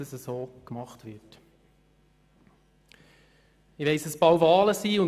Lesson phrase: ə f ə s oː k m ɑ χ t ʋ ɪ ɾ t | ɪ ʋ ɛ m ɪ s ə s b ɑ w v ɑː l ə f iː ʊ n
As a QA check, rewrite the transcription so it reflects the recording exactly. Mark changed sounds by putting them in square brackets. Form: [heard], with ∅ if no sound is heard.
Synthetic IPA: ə [s] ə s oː k m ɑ χ t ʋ ɪ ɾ t | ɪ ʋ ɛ [∅] ɪ s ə s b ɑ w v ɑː l ə [s] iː ʊ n